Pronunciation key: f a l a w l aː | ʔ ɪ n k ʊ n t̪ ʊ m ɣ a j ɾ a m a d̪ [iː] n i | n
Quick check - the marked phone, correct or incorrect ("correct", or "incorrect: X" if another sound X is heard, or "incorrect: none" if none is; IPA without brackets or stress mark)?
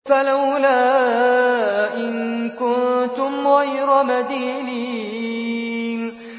correct